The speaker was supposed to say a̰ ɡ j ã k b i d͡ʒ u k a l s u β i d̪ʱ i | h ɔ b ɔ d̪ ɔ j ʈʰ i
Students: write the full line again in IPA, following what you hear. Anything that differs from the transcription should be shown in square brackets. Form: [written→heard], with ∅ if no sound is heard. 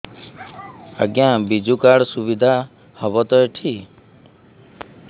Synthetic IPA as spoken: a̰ ɡ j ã [k→∅] b i d͡ʒ u k a [l→ɽ] s u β i d̪ʱ [i→a] | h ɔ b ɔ [d̪→t̪] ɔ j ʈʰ i